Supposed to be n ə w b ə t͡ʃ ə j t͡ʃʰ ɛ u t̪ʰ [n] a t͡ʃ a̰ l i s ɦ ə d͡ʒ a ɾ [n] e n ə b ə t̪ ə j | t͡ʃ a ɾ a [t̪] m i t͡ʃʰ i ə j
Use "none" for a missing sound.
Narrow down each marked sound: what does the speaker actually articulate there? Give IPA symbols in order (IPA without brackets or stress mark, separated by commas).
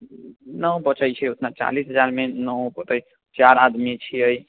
n, m, d̪